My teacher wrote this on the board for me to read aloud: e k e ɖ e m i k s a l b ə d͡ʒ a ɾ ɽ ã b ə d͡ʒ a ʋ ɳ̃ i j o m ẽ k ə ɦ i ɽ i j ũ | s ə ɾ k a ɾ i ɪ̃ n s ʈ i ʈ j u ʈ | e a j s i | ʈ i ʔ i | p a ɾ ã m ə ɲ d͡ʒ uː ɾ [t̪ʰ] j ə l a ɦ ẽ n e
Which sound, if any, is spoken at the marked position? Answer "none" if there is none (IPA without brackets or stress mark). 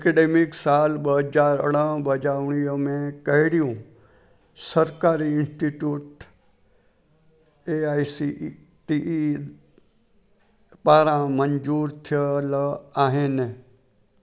t̪ʰ